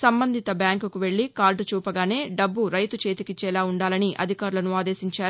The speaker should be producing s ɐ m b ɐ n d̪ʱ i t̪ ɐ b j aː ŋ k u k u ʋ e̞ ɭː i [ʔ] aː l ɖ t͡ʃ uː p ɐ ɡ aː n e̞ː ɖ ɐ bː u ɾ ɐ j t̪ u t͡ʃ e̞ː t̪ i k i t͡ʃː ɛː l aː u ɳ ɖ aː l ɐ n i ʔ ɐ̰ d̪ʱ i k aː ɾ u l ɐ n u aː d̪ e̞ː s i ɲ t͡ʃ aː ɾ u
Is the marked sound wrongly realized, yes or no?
yes